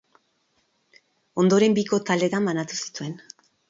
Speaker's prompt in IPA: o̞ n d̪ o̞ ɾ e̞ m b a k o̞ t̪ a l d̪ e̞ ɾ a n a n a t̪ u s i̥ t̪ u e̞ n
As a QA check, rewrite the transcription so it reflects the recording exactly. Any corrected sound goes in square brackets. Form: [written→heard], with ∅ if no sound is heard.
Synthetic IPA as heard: o̞ n d̪ o̞ ɾ e̞ m b [a→i] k o̞ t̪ a l d̪ e̞ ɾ a [n→m] a n a t̪ u s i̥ t̪ u e̞ n